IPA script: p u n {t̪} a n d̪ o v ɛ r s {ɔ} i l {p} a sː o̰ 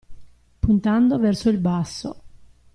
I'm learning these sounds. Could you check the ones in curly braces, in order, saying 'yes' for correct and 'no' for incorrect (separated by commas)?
yes, no, no